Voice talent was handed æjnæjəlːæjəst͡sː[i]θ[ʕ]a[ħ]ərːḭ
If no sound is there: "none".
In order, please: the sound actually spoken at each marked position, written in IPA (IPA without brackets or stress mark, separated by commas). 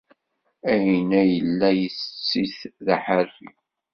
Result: i, ð, ħ